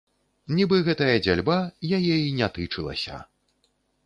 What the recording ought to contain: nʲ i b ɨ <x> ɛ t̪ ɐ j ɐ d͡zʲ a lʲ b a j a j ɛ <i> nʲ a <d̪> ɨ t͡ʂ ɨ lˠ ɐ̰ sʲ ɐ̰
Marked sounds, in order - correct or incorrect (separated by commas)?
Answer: incorrect, correct, incorrect